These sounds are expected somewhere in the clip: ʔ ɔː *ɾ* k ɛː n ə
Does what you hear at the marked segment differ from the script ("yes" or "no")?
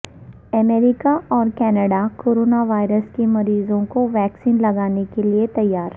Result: no